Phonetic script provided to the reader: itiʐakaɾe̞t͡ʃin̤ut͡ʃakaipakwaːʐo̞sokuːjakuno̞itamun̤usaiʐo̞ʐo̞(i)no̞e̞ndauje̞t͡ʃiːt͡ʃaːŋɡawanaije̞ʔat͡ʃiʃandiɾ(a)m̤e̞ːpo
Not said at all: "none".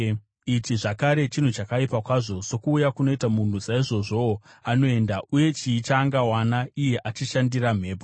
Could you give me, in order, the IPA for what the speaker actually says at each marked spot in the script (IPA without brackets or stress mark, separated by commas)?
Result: a, a